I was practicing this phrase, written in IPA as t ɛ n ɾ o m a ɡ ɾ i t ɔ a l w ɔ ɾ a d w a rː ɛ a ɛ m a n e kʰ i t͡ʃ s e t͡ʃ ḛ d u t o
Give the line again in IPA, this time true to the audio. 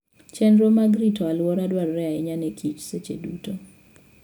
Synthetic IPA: t͡ʃ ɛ n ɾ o m a ɡ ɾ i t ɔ a l w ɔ ɾ a d w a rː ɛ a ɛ ɲ a n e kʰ i t͡ʃ s e t͡ʃ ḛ d u t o